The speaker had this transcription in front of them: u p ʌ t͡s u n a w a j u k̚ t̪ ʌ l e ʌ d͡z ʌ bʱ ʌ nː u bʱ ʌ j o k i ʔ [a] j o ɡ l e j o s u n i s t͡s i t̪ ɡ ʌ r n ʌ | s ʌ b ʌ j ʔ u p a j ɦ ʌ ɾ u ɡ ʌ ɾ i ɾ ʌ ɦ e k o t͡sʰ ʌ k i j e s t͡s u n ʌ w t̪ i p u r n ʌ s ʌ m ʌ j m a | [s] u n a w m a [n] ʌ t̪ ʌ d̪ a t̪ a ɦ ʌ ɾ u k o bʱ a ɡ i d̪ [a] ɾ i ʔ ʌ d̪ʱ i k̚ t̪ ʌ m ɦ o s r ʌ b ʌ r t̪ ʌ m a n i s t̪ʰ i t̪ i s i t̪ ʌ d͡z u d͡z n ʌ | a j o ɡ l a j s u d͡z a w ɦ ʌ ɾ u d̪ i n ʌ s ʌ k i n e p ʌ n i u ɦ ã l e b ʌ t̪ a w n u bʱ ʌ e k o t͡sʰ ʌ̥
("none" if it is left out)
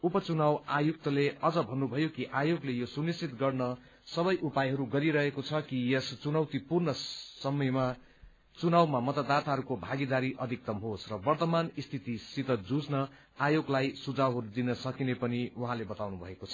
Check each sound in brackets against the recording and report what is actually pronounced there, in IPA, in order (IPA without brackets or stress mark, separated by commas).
a, t͡s, m, a